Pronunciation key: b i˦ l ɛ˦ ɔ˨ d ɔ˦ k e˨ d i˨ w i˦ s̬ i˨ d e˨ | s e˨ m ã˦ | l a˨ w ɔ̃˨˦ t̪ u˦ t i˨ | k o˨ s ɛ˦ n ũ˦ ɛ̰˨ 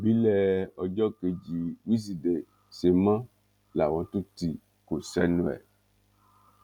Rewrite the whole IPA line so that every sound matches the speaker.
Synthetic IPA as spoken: b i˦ l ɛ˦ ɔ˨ d͡ʒ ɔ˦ k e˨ d͡ʒ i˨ w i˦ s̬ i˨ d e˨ | s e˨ m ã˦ | l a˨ w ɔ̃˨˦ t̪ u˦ t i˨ | k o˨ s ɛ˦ n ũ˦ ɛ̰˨